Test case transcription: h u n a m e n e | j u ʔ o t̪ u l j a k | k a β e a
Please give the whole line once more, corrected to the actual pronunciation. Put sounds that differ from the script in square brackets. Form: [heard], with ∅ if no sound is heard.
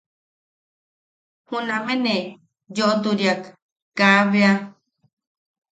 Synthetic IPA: h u n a m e n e | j [o] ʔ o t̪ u [ɾ] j a k | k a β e a

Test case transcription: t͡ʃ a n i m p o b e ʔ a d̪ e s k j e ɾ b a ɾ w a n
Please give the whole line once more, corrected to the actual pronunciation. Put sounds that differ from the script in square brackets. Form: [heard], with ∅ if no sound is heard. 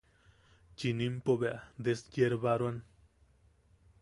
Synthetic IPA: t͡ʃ [i] n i m p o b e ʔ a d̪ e s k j e ɾ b a ɾ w a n

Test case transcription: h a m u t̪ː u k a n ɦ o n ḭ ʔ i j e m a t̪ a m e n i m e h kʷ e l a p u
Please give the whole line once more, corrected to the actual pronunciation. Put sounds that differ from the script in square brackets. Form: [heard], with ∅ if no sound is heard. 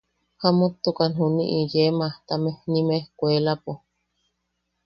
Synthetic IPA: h a m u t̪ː u k a n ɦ [u] n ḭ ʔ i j e m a t̪ a m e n i m e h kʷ e l a p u

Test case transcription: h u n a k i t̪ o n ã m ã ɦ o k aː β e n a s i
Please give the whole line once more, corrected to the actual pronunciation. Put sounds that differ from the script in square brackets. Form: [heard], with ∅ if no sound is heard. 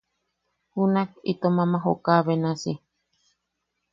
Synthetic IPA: h u n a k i t̪ o [m] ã m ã ɦ o k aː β e n a s i

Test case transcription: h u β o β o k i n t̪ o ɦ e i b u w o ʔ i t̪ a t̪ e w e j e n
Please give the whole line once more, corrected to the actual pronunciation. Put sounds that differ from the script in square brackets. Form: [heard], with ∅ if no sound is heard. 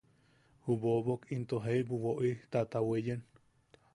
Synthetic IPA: h u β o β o k i n t̪ o ɦ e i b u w o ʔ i t̪ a t̪ [a] w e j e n

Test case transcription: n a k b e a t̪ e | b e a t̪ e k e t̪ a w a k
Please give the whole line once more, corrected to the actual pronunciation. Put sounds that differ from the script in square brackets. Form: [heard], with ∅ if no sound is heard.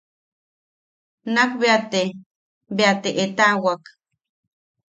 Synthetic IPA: n a k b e a t̪ e | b e a t̪ e [ʔ] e t̪ a w a k

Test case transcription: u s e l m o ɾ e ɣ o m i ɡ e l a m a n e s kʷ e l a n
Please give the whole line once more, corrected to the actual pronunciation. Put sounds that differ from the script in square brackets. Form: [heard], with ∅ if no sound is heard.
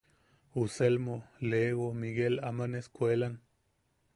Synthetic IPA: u s e l m o [l] e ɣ o m i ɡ e l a m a n e s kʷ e l a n

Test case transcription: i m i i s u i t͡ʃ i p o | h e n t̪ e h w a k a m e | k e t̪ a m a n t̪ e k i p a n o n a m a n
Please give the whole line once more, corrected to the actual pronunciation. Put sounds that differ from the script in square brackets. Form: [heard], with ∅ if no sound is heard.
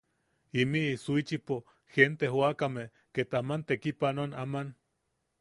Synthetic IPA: i m i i s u i t͡ʃ i p o | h e n t̪ e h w a k a m e | k e t̪ a m a n t̪ e k i p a n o n a m a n

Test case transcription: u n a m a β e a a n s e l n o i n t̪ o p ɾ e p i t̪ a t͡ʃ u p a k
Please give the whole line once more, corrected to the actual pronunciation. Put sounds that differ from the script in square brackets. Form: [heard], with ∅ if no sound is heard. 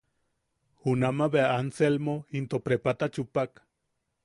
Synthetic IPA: u n a m a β e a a n s e l [m] o i n t̪ o p ɾ e p [a] t̪ a t͡ʃ u p a k

